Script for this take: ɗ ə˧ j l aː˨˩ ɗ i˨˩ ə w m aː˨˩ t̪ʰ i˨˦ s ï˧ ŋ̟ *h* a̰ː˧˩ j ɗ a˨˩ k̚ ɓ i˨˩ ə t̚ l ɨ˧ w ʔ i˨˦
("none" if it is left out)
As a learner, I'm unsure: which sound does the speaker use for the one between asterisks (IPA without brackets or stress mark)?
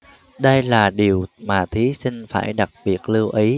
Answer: f